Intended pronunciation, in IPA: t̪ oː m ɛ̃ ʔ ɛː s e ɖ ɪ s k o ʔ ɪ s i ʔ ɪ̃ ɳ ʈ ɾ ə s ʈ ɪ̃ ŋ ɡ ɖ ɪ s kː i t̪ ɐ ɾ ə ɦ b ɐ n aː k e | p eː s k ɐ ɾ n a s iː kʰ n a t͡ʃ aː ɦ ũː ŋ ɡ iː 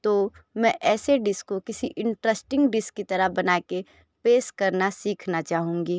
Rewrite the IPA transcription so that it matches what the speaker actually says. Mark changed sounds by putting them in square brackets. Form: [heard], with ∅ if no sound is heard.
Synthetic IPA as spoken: t̪ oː m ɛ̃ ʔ ɛː s e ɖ ɪ s k o [k] ɪ s i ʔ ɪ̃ ɳ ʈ ɾ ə s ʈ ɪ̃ ŋ ɡ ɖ ɪ s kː i t̪ ɐ ɾ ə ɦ b ɐ n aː k e | p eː s k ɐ ɾ n a s iː kʰ n a t͡ʃ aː ɦ ũː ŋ ɡ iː